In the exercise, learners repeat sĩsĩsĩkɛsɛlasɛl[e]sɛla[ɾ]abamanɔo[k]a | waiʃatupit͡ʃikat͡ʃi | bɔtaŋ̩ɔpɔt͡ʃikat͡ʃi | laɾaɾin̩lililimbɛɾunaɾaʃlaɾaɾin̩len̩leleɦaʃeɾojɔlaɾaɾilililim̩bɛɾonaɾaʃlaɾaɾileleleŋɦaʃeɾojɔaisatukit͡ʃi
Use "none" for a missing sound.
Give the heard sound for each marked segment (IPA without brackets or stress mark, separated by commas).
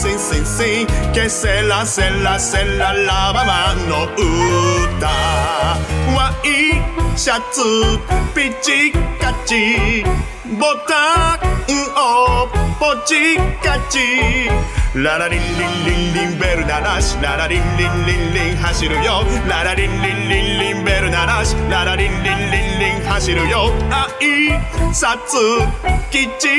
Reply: a, l, t